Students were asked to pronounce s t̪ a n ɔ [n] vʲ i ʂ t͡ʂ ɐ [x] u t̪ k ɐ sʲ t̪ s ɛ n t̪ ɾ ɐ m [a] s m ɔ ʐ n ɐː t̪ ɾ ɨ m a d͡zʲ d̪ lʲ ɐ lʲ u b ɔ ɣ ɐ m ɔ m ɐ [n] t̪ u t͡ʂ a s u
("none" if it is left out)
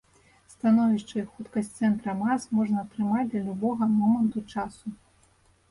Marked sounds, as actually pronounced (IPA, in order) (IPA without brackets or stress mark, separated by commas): none, x, a, n